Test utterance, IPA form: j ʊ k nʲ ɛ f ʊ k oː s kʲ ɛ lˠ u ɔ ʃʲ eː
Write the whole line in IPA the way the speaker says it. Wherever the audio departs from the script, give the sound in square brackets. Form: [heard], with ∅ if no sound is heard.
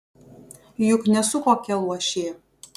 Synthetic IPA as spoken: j ʊ k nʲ ɛ [s] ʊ k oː [∅] kʲ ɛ lˠ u ɔ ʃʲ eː